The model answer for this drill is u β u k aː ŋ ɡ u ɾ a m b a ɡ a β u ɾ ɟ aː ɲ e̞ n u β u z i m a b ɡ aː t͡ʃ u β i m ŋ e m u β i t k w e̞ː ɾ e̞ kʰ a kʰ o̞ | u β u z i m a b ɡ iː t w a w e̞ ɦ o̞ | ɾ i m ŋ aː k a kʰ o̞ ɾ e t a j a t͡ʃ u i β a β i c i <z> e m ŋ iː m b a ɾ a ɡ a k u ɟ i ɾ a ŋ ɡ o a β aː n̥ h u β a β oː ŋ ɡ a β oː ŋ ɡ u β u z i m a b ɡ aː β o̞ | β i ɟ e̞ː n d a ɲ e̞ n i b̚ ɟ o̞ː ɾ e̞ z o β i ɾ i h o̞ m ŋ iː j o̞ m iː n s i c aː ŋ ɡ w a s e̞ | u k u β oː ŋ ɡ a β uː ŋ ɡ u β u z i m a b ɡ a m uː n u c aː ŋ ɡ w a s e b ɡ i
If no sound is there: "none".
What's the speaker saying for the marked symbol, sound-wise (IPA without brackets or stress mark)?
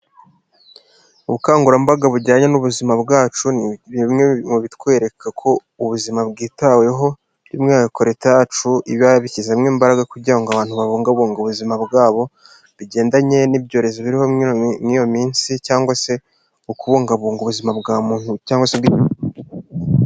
z